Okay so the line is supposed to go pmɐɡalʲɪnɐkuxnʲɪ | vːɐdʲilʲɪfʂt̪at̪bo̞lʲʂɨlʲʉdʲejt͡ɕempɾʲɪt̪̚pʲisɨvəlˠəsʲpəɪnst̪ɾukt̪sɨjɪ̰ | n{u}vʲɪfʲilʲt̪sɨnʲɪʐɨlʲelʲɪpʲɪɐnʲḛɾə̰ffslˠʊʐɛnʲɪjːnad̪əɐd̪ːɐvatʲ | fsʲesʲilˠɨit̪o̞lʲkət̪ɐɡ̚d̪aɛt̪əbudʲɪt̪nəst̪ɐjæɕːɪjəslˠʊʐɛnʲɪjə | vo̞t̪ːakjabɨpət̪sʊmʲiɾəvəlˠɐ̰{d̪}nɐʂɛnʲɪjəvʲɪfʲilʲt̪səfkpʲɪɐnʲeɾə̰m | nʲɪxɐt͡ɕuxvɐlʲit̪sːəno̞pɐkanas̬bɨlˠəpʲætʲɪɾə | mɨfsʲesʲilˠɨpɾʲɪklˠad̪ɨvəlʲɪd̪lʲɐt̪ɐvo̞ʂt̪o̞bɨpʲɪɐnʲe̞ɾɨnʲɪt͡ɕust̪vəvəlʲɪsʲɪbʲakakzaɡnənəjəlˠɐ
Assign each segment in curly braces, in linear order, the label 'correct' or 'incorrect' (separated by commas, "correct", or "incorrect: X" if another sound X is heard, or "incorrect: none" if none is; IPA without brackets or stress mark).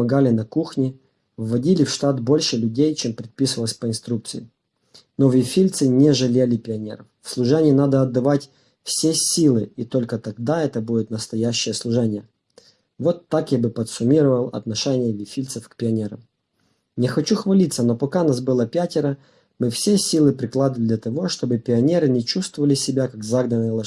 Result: incorrect: o, incorrect: t̪